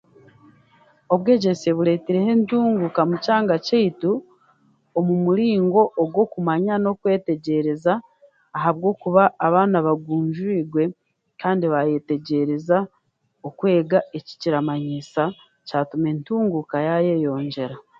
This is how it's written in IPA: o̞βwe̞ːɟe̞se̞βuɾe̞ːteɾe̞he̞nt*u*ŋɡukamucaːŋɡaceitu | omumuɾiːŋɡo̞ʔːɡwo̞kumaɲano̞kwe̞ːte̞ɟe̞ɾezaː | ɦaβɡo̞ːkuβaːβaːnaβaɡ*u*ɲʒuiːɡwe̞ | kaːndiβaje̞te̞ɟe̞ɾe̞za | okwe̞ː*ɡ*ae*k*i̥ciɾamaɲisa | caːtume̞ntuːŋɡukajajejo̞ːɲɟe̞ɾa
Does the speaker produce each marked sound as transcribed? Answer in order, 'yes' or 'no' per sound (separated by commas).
no, no, yes, no